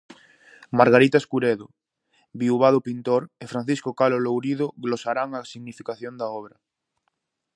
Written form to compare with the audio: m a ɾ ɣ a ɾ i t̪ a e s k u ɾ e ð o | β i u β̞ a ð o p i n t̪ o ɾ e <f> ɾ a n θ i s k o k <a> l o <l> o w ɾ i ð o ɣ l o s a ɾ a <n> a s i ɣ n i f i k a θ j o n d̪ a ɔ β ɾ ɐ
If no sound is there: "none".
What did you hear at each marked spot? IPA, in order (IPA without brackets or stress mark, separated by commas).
f, a, l, ŋ